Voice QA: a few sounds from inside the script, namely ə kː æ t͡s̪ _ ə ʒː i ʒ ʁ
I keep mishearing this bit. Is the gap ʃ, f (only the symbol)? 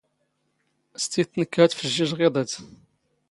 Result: f